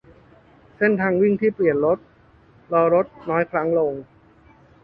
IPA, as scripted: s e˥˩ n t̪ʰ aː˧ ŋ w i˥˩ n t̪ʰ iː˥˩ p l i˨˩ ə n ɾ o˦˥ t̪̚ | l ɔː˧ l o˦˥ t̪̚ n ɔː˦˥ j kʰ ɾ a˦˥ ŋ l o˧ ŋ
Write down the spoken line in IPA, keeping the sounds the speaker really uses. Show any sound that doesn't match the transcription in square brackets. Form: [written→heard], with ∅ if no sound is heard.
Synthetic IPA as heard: s e˥˩ n t̪ʰ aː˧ ŋ w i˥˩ [n→ŋ] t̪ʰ iː˥˩ p l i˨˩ ə n ɾ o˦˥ t̪̚ | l ɔː˧ [l→ɾ] o˦˥ t̪̚ n ɔː˦˥ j kʰ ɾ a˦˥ ŋ l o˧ ŋ